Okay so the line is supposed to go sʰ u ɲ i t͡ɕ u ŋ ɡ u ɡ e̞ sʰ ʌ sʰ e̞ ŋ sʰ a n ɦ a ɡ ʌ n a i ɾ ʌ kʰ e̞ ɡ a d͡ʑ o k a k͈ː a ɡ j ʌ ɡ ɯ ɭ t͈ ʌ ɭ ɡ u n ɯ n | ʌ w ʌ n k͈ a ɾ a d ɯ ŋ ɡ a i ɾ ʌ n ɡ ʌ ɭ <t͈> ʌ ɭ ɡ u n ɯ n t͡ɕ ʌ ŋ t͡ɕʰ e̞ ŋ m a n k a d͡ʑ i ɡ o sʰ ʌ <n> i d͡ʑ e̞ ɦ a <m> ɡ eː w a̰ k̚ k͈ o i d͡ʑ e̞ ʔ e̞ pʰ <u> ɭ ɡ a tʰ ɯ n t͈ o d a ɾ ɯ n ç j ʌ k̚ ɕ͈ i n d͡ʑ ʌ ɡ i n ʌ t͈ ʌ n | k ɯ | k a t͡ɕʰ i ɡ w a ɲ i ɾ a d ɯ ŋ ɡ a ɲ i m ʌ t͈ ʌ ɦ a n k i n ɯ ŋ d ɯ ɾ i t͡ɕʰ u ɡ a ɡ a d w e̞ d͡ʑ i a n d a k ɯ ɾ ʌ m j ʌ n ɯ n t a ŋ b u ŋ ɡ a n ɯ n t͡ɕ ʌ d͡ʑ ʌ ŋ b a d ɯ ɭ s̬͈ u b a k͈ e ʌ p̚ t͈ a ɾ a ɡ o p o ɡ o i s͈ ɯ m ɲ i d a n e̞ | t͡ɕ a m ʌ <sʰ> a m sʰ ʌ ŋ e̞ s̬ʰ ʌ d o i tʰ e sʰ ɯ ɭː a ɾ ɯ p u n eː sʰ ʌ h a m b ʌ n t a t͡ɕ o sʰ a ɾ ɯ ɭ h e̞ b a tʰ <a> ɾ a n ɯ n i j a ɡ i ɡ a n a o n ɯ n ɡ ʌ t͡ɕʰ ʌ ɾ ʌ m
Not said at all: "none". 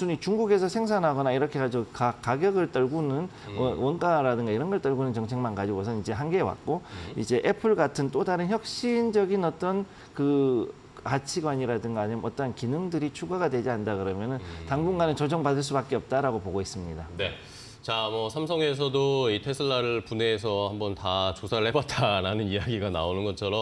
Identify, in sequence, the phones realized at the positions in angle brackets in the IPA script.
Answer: t͈, n, n, ɯ, sʰ, a

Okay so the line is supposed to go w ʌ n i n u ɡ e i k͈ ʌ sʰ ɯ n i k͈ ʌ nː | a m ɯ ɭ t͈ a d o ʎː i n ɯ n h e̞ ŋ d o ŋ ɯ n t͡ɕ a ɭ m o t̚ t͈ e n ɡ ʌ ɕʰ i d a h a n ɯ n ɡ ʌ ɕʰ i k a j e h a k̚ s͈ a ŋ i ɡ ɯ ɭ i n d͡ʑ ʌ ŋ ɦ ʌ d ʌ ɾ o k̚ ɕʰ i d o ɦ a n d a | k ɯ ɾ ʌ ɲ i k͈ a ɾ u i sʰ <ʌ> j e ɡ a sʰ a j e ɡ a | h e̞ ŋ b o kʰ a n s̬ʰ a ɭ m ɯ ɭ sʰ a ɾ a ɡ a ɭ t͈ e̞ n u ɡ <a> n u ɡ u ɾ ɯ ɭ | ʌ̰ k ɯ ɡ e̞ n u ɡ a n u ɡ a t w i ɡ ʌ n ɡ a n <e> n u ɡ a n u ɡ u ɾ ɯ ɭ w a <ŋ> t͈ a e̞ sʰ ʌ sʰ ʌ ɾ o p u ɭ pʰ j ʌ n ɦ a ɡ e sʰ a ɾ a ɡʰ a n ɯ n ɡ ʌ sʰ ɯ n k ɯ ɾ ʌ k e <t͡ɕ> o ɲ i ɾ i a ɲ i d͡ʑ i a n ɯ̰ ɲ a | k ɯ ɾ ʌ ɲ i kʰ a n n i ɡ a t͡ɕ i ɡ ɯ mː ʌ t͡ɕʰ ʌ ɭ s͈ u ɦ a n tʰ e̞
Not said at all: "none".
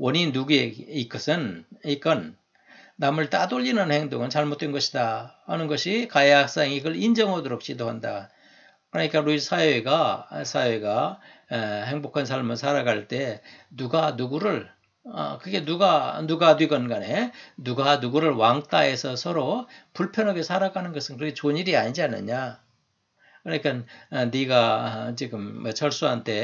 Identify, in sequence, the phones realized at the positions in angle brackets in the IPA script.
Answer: a, a, e, ŋ, t͡ɕ

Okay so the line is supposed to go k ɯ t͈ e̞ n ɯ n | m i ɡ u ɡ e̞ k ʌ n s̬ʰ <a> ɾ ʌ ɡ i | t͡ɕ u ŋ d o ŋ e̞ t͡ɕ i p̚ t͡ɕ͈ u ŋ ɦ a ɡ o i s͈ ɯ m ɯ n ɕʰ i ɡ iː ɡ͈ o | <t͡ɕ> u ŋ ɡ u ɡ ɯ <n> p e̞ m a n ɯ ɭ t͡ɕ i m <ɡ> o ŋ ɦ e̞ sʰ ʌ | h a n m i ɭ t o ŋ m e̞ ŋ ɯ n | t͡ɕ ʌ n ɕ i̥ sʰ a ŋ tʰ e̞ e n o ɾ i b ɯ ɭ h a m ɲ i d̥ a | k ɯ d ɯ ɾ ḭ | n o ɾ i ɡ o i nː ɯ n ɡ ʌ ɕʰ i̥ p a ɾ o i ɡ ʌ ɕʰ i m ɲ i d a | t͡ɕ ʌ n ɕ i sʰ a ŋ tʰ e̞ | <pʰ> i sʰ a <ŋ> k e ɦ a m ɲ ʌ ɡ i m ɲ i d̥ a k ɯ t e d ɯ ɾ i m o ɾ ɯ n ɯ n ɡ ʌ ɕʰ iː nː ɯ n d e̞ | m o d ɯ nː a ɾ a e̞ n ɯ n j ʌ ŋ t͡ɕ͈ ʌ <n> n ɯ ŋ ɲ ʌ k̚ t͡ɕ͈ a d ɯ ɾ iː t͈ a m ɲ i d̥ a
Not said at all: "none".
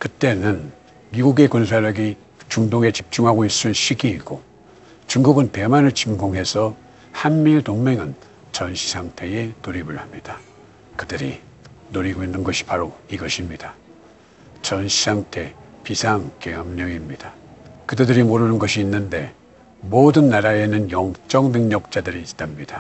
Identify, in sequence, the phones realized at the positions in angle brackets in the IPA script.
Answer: a, t͡ɕ, n, ɡ, p, ŋ, ŋ

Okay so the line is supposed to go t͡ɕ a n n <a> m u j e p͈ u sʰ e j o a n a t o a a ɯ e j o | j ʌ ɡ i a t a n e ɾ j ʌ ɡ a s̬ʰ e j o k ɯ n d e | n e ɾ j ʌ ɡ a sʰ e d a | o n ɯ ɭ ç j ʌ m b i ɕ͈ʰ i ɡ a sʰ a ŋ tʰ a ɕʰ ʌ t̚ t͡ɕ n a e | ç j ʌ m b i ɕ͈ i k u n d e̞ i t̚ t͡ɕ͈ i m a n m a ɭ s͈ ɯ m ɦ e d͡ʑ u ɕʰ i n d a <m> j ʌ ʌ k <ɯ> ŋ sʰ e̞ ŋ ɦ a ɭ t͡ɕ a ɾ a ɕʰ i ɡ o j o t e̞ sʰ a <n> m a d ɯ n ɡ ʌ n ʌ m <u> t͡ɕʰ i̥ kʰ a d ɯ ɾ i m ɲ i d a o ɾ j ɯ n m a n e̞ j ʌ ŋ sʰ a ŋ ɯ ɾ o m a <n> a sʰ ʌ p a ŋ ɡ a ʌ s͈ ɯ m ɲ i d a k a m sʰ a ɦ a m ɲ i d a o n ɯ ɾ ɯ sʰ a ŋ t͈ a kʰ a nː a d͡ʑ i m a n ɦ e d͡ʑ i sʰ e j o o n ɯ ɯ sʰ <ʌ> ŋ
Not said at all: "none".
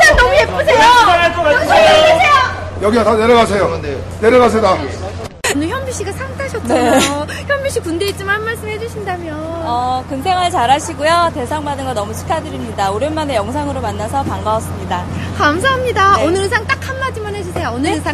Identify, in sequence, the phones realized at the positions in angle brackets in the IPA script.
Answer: ʌ, m, ɯ, ŋ, u, nː, a

